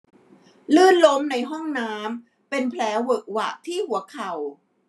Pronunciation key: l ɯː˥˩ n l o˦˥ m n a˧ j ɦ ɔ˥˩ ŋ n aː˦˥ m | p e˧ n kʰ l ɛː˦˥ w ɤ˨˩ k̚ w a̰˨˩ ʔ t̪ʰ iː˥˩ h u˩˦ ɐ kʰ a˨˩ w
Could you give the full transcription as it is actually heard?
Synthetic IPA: l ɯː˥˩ n l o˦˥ m n a˧ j ɦ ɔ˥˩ ŋ n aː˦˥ m | p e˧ n pʰ l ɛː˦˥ w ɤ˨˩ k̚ w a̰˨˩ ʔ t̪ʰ iː˥˩ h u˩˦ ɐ kʰ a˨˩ w

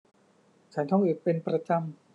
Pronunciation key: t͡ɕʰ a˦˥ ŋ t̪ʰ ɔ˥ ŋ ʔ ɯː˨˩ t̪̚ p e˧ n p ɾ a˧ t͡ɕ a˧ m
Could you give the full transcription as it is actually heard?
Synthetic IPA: t͡ɕʰ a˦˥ n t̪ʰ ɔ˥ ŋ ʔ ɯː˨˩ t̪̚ p e˧ n p ɾ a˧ t͡ɕ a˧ m

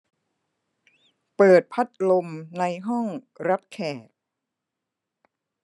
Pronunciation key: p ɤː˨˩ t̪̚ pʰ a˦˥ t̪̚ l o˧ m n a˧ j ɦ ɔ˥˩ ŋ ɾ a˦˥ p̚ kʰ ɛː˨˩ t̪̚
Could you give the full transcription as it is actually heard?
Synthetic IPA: p ɤː˨˩ t̪̚ pʰ a˦˥ t̪̚ l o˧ m n a˧ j ɦ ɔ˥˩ ŋ ɾ a˦˥ p̚ kʰ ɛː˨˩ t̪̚

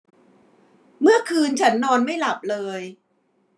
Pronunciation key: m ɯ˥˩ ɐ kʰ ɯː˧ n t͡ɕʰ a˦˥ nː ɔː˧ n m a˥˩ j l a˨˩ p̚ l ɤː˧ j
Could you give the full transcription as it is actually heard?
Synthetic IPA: m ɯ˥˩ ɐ kʰ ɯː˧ n t͡ɕʰ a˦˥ nː ɔː˧ n m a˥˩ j l a˨˩ p̚ l ɤː˧ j

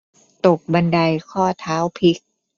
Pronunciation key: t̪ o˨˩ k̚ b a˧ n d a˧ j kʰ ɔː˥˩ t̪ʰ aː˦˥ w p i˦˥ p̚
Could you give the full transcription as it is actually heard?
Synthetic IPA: t̪ o˨˩ k̚ b a˧ n d a˧ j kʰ ɔː˥˩ t̪ʰ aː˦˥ w pʰ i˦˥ k̚

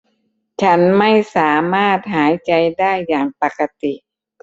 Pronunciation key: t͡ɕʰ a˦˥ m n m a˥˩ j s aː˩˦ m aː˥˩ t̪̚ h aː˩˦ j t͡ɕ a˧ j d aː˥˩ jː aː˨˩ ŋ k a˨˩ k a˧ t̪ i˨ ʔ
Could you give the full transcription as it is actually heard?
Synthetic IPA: t͡ɕʰ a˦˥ n m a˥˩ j s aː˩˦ m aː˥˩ t̪̚ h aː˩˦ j t͡ɕ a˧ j d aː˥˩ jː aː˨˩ ŋ p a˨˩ k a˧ t̪ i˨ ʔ

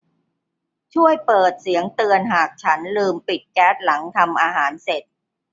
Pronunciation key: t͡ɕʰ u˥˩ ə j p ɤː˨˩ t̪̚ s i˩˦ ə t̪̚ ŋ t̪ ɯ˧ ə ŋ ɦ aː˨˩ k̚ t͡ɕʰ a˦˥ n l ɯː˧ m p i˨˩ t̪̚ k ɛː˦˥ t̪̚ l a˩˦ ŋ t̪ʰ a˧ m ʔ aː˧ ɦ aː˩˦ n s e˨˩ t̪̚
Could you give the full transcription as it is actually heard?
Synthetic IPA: t͡ɕʰ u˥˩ ə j p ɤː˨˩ t̪̚ s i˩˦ ə ŋ t̪ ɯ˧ ə n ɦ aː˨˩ k̚ t͡ɕʰ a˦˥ n l ɯː˧ m p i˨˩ t̪̚ k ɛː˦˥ t̪̚ l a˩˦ ŋ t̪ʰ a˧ m ʔ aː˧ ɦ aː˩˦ n s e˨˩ t̪̚

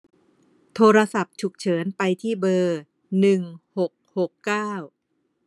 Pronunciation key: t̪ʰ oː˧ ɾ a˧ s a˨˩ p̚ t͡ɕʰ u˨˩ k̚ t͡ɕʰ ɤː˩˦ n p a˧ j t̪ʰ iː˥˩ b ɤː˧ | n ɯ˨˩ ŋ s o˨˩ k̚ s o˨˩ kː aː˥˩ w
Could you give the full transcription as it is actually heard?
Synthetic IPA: t̪ʰ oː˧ ɾ a˧ s a˨˩ p̚ t͡ɕʰ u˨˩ k̚ t͡ɕʰ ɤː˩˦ n p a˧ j t̪ʰ iː˥˩ b ɤː˧ | n ɯ˨˩ ŋ h o˨˩ k̚ h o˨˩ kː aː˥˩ w

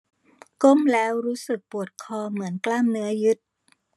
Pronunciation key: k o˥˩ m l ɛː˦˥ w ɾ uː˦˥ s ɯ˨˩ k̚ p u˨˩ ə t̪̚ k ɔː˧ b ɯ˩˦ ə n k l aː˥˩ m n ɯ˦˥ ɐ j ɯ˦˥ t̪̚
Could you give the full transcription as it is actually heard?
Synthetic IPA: k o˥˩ m l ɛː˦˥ w ɾ uː˦˥ s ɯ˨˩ k̚ p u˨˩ ə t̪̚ kʰ ɔː˧ m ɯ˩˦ ə n k l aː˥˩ m n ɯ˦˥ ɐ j ɯ˦˥ t̪̚

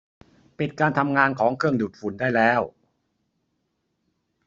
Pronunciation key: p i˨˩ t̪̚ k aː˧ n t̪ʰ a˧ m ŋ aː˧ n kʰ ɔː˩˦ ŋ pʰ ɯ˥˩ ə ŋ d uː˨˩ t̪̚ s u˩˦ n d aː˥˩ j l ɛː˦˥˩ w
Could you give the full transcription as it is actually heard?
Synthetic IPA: p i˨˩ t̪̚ k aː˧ n t̪ʰ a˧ m ŋ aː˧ n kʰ ɔː˩˦ ŋ kʰ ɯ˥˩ ə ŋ d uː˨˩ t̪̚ f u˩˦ n d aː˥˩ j l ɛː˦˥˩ w

